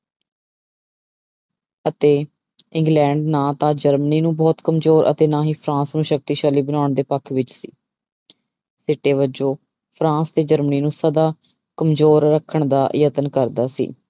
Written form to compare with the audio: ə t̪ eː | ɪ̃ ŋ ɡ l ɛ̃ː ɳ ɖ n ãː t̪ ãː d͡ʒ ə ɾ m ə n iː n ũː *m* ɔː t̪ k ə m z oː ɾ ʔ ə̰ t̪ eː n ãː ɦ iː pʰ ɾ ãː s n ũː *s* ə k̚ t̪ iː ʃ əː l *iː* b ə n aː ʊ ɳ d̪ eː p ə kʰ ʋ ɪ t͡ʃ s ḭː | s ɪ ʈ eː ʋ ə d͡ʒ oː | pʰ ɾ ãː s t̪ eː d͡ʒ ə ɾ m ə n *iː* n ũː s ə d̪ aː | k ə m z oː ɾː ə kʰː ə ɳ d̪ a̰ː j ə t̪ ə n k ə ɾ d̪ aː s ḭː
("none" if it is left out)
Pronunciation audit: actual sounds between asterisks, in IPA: b, ʃ, iː, iː

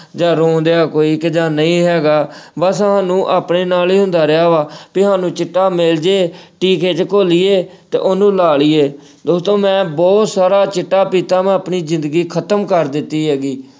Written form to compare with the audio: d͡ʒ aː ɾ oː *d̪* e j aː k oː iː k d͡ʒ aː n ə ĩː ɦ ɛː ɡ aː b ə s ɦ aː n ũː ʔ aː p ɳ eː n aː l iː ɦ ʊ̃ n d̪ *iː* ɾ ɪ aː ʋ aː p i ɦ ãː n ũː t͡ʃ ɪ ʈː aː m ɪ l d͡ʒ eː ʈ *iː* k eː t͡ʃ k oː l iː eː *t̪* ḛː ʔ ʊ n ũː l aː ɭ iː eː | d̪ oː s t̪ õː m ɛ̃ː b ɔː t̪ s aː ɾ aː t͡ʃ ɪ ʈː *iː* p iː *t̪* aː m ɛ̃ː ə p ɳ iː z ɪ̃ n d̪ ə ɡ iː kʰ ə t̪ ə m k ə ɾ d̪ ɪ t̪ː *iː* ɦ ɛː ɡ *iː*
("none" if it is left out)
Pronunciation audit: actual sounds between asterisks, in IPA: d̪, aː, iː, t̪, aː, t̪, iː, iː

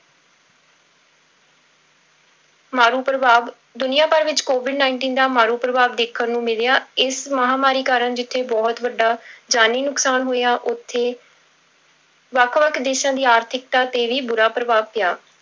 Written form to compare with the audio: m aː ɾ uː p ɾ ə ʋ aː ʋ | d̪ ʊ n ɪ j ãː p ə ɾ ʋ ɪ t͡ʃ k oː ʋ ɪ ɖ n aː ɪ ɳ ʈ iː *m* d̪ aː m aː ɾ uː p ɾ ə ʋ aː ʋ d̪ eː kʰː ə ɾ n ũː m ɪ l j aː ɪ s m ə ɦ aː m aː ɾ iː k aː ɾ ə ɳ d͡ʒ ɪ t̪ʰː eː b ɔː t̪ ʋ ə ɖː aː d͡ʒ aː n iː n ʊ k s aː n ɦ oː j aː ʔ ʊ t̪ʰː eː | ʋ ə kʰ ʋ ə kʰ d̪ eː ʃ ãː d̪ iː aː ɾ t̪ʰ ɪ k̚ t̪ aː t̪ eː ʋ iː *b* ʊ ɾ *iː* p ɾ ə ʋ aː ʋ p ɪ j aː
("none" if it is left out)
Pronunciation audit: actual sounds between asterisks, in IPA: n, b, aː

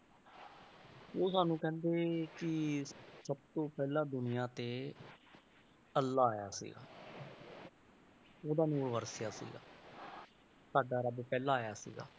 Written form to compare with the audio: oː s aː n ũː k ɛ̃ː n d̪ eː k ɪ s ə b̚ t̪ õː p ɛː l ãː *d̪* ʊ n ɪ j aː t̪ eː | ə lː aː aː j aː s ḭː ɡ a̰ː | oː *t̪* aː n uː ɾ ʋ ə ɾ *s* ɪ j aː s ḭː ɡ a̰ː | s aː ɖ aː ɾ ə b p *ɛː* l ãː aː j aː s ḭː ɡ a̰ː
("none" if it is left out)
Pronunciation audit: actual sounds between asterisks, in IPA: d̪, d̪, s, ɛː

